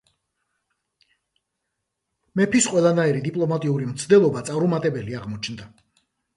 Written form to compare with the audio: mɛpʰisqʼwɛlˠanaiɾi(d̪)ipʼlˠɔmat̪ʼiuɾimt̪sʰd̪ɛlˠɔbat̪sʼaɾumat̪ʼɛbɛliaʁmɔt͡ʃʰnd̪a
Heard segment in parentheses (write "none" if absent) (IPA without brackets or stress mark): d̪